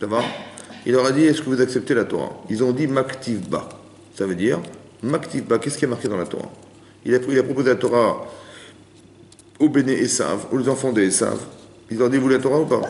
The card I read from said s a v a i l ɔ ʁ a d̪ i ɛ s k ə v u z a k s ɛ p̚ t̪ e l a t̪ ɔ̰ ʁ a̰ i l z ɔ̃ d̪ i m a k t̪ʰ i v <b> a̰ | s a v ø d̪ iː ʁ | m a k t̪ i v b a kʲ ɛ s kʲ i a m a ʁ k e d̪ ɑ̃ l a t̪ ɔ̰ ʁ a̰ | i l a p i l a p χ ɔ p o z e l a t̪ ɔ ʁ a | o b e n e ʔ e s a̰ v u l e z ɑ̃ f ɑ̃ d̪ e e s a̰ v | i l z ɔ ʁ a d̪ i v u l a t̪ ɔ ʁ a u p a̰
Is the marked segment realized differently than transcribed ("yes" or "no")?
no